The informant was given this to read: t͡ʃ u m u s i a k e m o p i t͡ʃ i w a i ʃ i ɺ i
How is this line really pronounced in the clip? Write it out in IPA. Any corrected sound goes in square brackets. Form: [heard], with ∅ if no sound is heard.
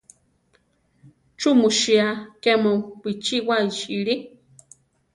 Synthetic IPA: t͡ʃ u m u [ʃ] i a k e m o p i t͡ʃ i w a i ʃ i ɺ i

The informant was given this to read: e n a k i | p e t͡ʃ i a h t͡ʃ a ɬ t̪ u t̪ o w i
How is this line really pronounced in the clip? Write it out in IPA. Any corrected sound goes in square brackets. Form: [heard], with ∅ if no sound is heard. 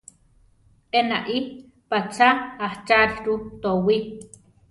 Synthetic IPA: e n a [ʔ] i | p [a] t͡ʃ [a] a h t͡ʃ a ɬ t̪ u t̪ o w i

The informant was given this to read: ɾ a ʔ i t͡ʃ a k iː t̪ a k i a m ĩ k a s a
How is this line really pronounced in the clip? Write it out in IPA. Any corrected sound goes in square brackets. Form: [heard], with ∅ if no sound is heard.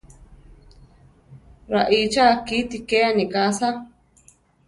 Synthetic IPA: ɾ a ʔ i t͡ʃ a k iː t̪ [i] k [e] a [n] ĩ k a s a

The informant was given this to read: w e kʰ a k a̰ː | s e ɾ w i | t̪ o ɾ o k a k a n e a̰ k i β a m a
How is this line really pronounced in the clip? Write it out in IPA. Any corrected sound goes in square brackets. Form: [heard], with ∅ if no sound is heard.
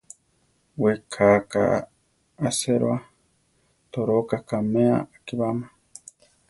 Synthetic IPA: w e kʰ a k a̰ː | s e ɾ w [a] | t̪ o ɾ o k a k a [m] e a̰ k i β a m a

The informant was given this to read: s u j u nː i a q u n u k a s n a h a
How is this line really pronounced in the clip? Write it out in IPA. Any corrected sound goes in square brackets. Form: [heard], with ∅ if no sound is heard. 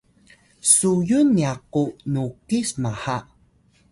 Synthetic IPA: s u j u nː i a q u n u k [i] s [m] a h a

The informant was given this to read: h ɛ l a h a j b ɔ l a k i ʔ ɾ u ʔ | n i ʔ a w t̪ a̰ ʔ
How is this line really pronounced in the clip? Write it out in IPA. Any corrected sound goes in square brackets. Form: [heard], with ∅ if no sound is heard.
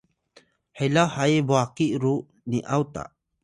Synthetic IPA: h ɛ l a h a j b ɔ [∅] a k i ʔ ɾ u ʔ | n i ʔ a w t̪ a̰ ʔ

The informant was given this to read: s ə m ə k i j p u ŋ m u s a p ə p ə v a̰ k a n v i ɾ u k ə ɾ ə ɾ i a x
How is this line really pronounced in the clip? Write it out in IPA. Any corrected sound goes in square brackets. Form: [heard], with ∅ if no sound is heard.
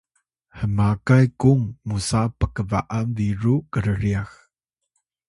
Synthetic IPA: [h] ə m [a] k [a] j [k] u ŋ m u s a p ə [k] ə v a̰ [ʔ] a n v i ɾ u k ə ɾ ə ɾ i a x

